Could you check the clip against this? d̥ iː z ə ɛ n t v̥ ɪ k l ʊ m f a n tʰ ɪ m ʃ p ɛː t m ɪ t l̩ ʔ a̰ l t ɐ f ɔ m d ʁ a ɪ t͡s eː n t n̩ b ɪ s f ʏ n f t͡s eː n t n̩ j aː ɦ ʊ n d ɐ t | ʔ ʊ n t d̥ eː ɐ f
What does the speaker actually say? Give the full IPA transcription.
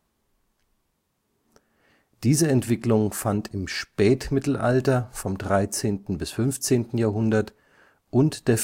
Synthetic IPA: d̥ iː z ə ɛ n t v̥ ɪ k l ʊ ŋ f a n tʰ ɪ m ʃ p ɛː t m ɪ t l̩ ʔ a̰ l t ɐ f ɔ m d ʁ a ɪ t͡s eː n t n̩ b ɪ s f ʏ n f t͡s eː n t n̩ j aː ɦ ʊ n d ɐ t | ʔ ʊ n t d̥ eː ɐ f